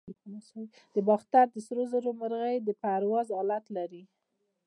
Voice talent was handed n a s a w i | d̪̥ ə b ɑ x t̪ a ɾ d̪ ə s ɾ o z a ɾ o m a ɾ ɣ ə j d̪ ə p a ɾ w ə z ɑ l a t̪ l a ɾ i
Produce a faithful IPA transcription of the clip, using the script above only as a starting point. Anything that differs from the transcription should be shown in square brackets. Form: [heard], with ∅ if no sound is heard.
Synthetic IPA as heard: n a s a w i | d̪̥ ə b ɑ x t̪ a ɾ d̪ ə s ɾ o z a ɾ o m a ɾ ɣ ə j d̪ ə p a ɾ w [ɑ] z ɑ l a t̪ l a ɾ i